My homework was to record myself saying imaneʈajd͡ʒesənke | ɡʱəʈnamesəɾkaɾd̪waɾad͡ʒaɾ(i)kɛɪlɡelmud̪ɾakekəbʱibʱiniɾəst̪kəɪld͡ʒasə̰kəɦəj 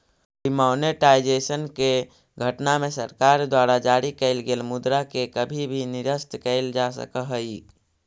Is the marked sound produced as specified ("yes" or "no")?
yes